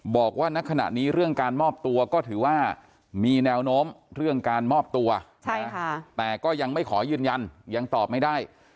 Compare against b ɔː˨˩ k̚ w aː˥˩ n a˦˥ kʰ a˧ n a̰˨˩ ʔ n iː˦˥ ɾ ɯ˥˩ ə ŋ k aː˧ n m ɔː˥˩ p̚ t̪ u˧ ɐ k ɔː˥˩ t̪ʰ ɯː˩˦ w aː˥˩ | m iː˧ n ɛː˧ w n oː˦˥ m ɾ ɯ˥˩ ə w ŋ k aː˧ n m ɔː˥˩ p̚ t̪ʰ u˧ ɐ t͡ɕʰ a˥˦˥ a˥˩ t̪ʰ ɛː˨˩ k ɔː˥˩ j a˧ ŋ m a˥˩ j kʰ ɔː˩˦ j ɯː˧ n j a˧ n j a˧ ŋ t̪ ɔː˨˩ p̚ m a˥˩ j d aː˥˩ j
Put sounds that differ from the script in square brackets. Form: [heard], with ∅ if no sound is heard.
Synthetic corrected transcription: b ɔː˨˩ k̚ w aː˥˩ n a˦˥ kʰ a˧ n a̰˨˩ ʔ n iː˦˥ ɾ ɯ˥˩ ə ŋ k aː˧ n m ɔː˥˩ p̚ t̪ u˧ ɐ k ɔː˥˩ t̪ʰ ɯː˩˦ w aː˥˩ | m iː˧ n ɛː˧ w n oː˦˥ m ɾ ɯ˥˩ ə [∅] ŋ k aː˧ n m ɔː˥˩ p̚ [t̪] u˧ ɐ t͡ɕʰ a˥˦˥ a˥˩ [t̪] ɛː˨˩ k ɔː˥˩ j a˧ ŋ m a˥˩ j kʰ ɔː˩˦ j ɯː˧ n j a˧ n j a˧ ŋ t̪ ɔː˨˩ p̚ m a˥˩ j d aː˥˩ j